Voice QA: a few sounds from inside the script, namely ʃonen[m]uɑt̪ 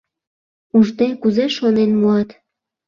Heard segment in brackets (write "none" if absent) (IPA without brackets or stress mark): m